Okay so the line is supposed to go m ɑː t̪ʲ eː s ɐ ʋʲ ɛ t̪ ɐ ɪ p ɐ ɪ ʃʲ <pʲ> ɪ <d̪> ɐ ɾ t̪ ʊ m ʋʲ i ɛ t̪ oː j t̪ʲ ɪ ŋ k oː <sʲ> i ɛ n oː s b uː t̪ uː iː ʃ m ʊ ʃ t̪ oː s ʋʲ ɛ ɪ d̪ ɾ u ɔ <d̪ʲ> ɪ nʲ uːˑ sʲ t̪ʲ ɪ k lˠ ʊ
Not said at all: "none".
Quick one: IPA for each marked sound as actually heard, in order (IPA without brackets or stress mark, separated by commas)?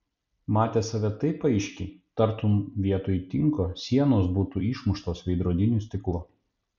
kʲ, t̪, sʲ, d̪ʲ